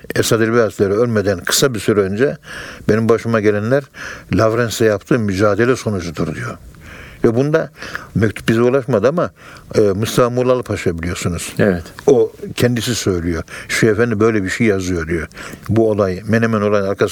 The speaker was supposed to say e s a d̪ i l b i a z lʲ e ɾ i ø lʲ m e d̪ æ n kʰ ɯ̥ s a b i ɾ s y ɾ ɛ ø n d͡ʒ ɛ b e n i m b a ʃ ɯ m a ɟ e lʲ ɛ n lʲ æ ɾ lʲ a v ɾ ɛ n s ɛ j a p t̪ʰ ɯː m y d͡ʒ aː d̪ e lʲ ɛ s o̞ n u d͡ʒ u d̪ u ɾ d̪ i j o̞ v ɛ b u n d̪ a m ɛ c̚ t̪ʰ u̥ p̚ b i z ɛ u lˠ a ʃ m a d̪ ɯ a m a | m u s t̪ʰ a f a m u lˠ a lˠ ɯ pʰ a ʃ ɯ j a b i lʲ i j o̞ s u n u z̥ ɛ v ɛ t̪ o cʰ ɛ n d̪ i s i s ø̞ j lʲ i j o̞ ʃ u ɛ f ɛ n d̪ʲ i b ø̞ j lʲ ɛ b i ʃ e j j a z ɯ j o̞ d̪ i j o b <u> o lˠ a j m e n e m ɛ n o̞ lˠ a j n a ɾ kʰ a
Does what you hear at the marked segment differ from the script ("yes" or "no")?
no